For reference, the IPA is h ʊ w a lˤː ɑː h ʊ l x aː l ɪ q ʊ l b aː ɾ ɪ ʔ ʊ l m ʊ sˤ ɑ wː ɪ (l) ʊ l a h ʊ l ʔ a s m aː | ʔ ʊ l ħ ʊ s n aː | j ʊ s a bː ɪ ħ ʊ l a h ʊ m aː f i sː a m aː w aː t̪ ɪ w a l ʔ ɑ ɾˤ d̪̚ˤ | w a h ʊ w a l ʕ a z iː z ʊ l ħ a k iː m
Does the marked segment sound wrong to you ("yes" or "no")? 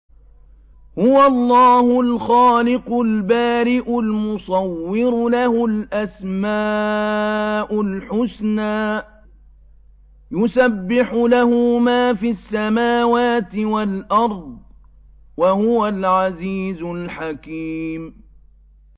yes